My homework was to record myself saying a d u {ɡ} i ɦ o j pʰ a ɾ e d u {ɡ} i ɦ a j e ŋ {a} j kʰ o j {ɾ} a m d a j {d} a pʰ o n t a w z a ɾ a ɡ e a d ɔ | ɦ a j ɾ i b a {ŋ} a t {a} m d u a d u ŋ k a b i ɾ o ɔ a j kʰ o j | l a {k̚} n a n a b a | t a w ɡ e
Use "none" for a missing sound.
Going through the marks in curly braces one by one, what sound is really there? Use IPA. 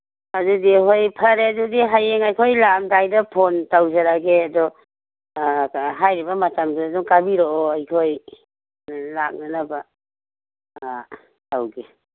d, d, a, l, d, m, a, k̚

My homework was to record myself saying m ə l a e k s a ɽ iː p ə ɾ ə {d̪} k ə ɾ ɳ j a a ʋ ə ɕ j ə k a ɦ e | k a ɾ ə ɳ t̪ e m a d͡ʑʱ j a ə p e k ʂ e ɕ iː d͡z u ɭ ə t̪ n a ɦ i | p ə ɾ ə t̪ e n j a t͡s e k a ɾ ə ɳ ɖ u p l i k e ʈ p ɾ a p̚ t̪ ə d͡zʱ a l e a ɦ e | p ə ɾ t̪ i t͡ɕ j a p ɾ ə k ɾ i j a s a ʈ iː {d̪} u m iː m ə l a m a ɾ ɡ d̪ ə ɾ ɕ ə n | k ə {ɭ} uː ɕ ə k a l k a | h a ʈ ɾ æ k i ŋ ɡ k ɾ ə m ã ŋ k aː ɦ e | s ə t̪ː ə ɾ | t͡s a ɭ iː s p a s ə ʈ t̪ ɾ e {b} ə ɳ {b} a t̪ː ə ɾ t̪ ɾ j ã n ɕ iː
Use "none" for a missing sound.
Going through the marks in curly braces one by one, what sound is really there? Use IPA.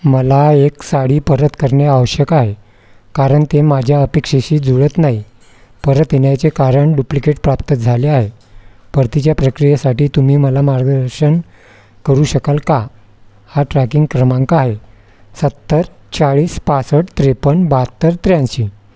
t̪, t̪, ɾ, p, b

